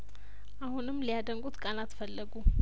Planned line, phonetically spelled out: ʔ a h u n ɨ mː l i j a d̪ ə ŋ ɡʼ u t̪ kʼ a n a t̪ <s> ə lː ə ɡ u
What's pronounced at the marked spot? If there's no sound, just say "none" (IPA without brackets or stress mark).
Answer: f